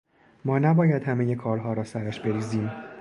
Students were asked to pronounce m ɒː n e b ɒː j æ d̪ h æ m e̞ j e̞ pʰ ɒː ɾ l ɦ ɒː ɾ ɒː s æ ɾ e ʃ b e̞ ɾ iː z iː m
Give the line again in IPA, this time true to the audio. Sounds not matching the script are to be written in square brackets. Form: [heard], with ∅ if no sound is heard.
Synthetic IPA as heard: m ɒː n [æ] b ɒː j æ d̪ h æ m e̞ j e̞ [kʰ] ɒː ɾ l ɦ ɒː ɾ ɒː s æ ɾ [æ] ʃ b e̞ ɾ iː z iː m

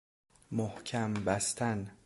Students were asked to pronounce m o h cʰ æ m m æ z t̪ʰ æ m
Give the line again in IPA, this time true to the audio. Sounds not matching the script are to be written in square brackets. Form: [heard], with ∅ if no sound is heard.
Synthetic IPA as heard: m o h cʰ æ m [b] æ [s] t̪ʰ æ [n]

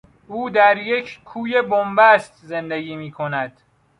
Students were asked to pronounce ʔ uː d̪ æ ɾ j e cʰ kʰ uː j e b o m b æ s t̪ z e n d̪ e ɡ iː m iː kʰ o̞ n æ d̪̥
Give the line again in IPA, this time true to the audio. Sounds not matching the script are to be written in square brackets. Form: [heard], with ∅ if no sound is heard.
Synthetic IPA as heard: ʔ uː d̪ æ ɾ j e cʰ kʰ uː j e b o m b æ s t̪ z e n d̪ e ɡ iː m iː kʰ o̞ n æ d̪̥

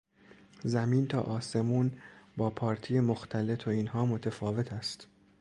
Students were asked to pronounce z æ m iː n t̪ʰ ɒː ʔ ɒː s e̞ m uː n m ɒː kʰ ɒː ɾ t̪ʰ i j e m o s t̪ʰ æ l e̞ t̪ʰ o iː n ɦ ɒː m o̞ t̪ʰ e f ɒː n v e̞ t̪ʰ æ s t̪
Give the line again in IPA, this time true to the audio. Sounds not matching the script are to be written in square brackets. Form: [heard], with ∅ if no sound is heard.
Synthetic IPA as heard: z æ m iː n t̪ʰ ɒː ʔ ɒː s e̞ m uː n [b] ɒː [pʰ] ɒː ɾ t̪ʰ i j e m o [x] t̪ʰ æ l e̞ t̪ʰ o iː n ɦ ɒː m o̞ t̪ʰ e f ɒː [∅] v e̞ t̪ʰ æ s t̪

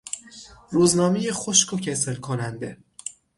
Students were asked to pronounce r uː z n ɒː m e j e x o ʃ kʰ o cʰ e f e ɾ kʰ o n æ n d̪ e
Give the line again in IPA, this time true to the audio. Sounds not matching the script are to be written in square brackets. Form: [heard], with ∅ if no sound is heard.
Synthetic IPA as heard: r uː z n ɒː m e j e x o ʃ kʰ o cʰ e [s] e [l] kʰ o n æ n d̪ e

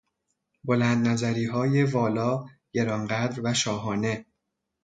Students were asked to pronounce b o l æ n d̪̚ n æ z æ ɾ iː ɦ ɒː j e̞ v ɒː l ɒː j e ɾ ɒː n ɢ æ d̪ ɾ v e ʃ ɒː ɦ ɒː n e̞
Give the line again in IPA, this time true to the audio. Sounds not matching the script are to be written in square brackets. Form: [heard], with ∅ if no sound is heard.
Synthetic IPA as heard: b o l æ n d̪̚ n æ z æ ɾ iː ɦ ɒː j e̞ v ɒː l ɒː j e ɾ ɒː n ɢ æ d̪ ɾ v [æ] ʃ ɒː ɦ ɒː n e̞

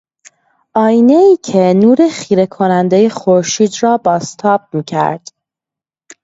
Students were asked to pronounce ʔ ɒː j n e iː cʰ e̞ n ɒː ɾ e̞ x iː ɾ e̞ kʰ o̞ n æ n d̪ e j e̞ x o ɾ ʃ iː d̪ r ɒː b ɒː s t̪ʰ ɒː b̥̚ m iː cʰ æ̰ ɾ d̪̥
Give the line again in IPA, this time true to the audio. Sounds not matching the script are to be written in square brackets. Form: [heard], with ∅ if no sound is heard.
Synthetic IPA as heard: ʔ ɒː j n e iː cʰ e̞ n [uː] ɾ e̞ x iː ɾ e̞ kʰ o̞ n æ n d̪ e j e̞ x o ɾ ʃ iː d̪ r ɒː b ɒː s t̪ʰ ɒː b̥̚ m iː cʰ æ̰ ɾ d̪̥

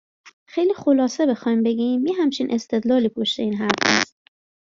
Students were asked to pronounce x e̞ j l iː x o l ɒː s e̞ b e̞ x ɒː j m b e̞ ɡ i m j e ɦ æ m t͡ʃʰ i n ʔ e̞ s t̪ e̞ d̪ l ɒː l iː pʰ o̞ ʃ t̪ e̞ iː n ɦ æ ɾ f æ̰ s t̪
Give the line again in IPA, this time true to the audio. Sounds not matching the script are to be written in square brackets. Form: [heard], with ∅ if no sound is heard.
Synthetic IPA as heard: x e̞ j l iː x o l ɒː s e̞ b e̞ x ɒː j m b e̞ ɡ i m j e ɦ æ m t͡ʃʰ i n ʔ e̞ s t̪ e̞ d̪ l ɒː l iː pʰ o̞ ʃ t̪ e̞ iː n ɦ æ ɾ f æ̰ s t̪

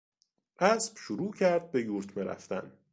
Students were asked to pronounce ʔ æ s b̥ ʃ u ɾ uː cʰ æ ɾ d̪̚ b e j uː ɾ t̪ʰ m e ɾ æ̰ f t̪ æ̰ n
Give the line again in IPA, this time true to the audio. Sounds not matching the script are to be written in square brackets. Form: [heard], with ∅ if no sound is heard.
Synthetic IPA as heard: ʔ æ s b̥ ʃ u ɾ uː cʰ æ ɾ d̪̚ b e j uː ɾ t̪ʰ m e ɾ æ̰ f t̪ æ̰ n

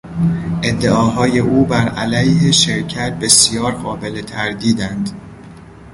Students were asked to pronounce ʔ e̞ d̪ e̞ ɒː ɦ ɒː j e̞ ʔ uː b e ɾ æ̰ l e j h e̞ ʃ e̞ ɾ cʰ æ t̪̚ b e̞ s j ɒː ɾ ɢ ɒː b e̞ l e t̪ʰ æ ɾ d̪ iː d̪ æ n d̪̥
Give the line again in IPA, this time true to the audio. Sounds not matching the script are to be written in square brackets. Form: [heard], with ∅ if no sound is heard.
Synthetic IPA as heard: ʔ e̞ [d̪ː] e̞ ɒː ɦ ɒː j e̞ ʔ uː b [æ] ɾ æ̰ l [æ] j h e̞ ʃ e̞ ɾ cʰ æ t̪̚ b e̞ s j ɒː ɾ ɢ ɒː b e̞ l e t̪ʰ æ ɾ d̪ iː d̪ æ n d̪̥

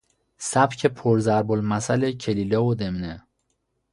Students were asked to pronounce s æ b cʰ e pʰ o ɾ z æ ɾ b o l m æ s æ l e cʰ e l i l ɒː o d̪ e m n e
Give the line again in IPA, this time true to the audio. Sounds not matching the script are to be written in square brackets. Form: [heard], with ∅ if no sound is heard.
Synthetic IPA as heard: s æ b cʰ e pʰ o ɾ z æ ɾ b o l m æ s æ l e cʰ e l i l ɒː o d̪ e m n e

